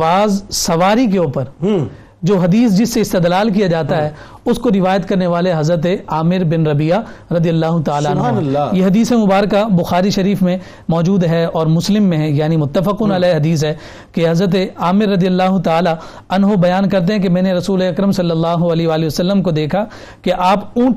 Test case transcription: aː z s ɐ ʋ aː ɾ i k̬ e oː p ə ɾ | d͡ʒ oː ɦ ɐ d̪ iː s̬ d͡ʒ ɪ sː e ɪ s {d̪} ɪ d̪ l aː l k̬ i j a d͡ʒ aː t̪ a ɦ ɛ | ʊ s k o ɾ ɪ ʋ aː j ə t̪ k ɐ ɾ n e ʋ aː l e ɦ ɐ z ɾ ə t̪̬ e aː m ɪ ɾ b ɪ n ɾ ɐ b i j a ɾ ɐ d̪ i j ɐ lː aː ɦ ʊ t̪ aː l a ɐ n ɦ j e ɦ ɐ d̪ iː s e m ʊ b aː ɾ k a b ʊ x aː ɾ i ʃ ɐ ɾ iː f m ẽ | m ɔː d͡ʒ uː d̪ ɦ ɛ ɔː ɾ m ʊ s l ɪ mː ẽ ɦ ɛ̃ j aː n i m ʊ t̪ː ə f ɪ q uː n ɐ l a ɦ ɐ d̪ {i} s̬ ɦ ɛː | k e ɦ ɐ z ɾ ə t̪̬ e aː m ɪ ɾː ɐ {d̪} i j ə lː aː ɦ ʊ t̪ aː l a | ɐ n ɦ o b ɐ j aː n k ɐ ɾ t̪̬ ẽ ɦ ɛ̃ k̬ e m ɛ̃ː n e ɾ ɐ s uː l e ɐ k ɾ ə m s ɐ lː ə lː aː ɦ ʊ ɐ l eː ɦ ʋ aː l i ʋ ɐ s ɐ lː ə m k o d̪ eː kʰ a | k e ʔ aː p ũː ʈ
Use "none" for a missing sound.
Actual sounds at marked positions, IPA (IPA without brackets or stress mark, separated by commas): t̪, iː, d̪